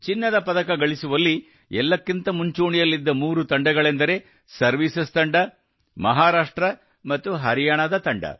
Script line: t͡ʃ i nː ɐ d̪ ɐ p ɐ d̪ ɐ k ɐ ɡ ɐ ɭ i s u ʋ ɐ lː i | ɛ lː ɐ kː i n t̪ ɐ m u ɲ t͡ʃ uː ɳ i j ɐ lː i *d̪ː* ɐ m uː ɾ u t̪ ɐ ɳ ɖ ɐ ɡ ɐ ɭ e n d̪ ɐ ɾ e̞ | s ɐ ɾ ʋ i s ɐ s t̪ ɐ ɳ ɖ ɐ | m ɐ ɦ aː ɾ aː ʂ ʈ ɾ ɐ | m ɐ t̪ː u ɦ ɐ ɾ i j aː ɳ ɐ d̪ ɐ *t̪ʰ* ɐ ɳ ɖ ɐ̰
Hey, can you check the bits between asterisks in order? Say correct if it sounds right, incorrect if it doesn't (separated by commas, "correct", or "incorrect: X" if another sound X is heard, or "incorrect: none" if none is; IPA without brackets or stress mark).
correct, incorrect: t̪